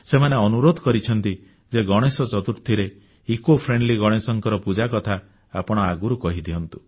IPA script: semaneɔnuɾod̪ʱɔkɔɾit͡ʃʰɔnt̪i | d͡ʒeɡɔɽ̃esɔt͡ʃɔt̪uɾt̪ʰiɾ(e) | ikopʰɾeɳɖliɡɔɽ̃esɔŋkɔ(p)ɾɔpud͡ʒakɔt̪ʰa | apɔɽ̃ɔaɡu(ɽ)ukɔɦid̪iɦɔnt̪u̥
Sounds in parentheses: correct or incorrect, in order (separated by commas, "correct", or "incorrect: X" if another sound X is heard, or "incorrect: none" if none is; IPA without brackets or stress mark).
correct, incorrect: none, incorrect: ɾ